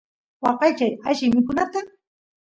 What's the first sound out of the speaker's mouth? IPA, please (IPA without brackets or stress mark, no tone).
w